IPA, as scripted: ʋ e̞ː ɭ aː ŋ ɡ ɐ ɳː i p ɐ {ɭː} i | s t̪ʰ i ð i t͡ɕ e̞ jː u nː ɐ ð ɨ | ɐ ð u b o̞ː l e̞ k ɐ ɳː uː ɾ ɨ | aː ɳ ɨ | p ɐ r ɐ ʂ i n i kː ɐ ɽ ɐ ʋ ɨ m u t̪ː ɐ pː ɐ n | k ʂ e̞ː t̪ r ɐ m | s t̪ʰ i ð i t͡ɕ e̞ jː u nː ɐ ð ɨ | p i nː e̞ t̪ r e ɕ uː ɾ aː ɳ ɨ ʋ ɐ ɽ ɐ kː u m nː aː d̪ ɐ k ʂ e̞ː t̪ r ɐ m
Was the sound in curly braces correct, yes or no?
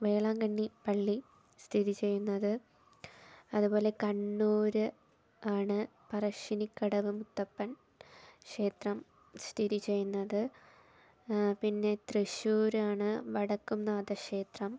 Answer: yes